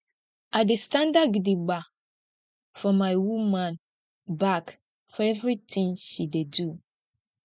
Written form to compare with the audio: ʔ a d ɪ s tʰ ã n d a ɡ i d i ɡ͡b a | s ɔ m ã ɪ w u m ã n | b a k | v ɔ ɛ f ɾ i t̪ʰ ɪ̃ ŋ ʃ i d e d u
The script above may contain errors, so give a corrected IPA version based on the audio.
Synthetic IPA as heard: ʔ a d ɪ s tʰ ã n d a ɡ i d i ɡ͡b a | f ɔ m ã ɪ w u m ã n | b a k | f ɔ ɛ v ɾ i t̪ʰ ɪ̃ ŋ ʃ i d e d u